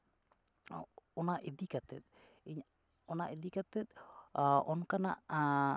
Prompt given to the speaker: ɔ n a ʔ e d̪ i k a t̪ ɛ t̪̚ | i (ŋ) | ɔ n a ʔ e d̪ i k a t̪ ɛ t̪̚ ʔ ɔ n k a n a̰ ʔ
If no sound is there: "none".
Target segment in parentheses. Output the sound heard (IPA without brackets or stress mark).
ɲ